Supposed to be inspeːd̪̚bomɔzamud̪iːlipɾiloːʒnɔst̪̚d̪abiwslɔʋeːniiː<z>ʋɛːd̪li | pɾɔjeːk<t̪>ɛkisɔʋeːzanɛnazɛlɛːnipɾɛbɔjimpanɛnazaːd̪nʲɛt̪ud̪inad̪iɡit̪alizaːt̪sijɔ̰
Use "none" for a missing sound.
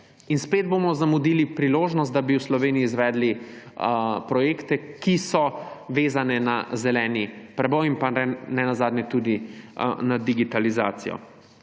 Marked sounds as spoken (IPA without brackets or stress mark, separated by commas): z, t̪